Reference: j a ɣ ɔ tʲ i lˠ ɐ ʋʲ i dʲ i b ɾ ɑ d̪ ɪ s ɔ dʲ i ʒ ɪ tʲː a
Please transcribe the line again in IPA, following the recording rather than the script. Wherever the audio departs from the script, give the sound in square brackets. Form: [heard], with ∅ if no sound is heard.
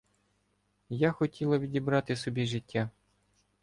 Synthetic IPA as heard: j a [x] ɔ tʲ i lˠ ɐ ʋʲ i dʲ i b ɾ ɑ [t̪] ɪ s ɔ [bʲ] i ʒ ɪ tʲː a